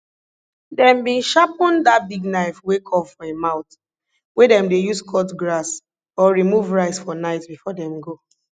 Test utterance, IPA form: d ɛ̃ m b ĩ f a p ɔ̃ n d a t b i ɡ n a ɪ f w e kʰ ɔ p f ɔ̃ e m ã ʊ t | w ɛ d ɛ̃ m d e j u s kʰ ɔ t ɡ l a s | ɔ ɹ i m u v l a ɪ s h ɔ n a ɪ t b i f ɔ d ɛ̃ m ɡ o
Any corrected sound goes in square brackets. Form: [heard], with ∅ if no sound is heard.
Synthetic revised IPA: d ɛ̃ m b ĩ [ʃ] a p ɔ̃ n d a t b i ɡ n a ɪ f w e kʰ ɔ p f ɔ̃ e m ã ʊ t | w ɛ d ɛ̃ m d e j u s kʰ ɔ t ɡ [ɹ] a s | ɔ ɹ i m u v [ɹ] a ɪ s [f] ɔ n a ɪ t b i f ɔ d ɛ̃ m ɡ o

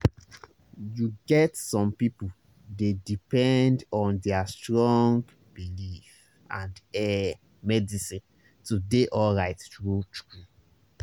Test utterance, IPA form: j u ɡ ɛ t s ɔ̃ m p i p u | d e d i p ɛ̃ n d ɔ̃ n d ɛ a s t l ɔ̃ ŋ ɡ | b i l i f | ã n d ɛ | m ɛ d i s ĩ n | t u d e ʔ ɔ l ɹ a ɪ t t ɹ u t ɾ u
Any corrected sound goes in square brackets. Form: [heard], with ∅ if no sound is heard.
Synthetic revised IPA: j u ɡ ɛ t s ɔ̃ m p i p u | d e d i p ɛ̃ n d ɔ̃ n d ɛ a s t [ɹ] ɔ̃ ŋ ɡ | b i l i f | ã n d ɛ | m ɛ d i s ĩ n | t u d e ʔ ɔ l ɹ a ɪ t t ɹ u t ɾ u

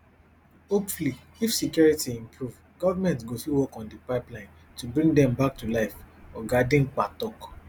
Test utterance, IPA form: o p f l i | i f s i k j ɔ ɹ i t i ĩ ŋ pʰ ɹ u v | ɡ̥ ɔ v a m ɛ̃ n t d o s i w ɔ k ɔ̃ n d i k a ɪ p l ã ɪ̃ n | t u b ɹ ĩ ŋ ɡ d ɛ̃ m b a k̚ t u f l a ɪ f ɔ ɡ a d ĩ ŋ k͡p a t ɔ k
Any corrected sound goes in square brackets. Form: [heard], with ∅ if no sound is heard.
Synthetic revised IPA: o p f l i | i f s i k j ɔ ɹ i t i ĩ [m] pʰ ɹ u v | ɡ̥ ɔ v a m ɛ̃ n t [ɡ] o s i w ɔ k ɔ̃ n d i [p] a ɪ p l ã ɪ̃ n | t u b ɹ ĩ ŋ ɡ d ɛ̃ m b a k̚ t u [∅] l a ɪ f ɔ ɡ a d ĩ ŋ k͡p a t ɔ k

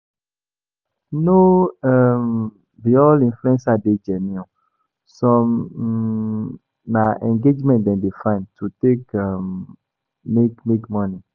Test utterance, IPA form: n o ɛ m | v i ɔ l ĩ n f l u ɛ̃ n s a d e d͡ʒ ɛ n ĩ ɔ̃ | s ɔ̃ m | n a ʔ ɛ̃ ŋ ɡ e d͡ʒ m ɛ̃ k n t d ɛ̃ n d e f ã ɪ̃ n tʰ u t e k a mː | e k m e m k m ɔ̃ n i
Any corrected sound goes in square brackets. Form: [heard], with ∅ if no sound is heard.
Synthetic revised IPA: n o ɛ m | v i ɔ l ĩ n f l u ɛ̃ n s a d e d͡ʒ ɛ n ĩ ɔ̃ | s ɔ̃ m | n a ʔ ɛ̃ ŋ ɡ e d͡ʒ m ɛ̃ [∅] n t d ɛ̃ n d e f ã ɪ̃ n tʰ u t e k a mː | e k m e [∅] k m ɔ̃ n i

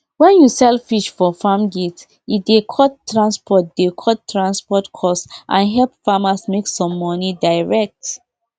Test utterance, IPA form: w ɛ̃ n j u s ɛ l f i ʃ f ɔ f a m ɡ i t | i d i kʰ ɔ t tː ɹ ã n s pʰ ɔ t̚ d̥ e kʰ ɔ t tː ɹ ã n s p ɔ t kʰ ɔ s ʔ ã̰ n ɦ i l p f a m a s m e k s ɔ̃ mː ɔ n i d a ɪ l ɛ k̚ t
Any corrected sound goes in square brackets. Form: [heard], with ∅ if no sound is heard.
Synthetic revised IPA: w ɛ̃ n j u s ɛ l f i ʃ f ɔ f a m ɡ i t | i d [e] kʰ ɔ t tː ɹ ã n s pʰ ɔ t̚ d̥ e kʰ ɔ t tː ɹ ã n s p ɔ t kʰ ɔ s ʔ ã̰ n ɦ [ɛ] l p f a m a s m e k s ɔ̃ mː ɔ n i d a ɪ [ɹ] ɛ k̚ t

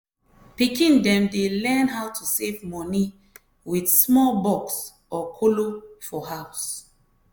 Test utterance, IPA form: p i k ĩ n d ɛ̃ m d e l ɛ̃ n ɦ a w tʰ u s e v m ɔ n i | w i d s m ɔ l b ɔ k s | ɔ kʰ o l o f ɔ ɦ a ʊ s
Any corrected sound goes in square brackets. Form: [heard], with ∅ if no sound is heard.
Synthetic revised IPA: p i k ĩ n d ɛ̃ m d e l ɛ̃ n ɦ a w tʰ u s e v m ɔ n i | w i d s m ɔ l b ɔ k s | ɔ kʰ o l o f ɔ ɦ a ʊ s

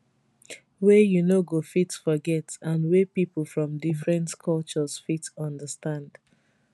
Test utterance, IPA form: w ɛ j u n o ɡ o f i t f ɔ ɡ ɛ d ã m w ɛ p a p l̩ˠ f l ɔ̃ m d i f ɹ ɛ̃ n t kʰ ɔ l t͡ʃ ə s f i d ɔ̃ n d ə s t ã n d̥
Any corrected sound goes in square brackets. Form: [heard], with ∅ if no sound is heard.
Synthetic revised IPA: w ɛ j u n o ɡ o f i t f ɔ ɡ ɛ [t] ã [n] w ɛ p [i] p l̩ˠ f [ɹ] ɔ̃ m d i f ɹ ɛ̃ n t kʰ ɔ l t͡ʃ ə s f i [t] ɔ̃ n d ə s t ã n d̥

